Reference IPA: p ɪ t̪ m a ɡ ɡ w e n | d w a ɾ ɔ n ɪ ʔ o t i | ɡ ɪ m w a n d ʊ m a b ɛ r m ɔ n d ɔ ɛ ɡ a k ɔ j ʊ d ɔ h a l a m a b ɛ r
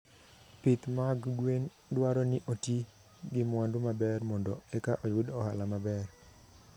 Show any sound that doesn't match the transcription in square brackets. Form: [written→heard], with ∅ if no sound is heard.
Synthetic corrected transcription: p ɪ t̪ m a ɡ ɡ w e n | d w a ɾ ɔ n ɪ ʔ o t i | ɡ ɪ m w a n d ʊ m a b ɛ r m ɔ n d ɔ ɛ [ɡ→k] a [k→ʔ] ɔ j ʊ d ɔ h a l a m a b ɛ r